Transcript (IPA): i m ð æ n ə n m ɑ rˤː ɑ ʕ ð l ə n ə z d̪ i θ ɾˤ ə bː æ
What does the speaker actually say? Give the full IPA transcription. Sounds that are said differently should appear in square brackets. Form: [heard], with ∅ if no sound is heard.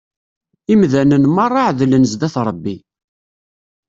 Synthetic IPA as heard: i m ð æ n ə n m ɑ rˤː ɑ ʕ ð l ə n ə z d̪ [æ] θ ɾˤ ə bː [i]